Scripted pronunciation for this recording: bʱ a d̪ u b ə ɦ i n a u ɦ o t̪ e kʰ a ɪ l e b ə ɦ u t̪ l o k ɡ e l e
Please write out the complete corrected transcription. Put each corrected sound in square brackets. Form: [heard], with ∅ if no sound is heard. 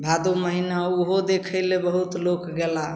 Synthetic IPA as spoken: bʱ a d̪ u [m] ə ɦ i n a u ɦ o [d̪] e kʰ [ə] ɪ l e b ə ɦ u t̪ l o k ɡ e l [a]